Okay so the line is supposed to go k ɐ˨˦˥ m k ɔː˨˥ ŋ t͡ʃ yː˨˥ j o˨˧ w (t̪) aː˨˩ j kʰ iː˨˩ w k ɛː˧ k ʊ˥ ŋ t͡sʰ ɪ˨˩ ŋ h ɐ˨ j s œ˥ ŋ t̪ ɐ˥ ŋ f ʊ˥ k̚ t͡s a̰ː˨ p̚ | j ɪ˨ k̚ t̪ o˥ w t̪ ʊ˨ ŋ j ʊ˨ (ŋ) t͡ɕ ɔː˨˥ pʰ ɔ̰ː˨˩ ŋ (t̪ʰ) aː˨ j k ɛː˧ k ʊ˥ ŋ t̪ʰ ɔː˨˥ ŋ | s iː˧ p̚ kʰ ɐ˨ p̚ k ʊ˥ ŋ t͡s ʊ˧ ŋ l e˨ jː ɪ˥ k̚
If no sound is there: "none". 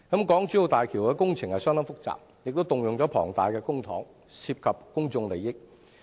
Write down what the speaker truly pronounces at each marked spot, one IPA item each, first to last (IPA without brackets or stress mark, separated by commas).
t̪, ŋ, t̪